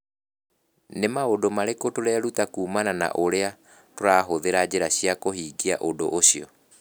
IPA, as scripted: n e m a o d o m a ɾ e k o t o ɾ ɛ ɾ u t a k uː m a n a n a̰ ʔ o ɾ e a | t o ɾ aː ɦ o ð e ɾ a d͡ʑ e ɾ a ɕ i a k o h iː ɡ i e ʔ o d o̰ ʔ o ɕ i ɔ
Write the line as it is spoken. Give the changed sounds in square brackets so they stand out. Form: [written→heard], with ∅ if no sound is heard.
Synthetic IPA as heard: n e m a o d o m a ɾ e k o t o ɾ ɛ ɾ u t a k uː m a n a n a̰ ʔ o ɾ e a | t o ɾ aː ɦ o ð e ɾ a d͡ʑ e ɾ a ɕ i a k o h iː ɡ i [e→a] ʔ o d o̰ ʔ o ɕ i ɔ